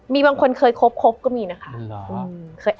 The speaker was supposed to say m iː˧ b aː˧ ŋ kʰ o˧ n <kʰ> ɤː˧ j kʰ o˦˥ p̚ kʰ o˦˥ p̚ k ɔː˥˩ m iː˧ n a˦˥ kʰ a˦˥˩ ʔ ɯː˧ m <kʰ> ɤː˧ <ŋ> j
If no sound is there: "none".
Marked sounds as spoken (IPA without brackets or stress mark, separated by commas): kʰ, kʰ, none